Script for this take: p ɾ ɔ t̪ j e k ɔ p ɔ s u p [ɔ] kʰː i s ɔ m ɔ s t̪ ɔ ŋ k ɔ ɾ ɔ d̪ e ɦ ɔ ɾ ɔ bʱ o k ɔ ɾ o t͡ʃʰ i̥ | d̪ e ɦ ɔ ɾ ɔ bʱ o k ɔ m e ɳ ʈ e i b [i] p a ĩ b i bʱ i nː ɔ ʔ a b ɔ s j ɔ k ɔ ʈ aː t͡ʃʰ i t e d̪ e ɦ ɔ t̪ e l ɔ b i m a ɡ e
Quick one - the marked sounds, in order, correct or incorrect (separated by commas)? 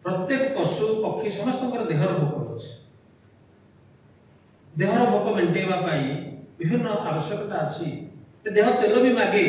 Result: correct, incorrect